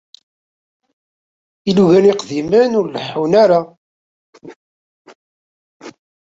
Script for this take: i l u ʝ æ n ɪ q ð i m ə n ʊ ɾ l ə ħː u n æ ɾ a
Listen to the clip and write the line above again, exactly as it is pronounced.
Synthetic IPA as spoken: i l u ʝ æ n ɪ q ð i m ə n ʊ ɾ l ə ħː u n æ ɾ a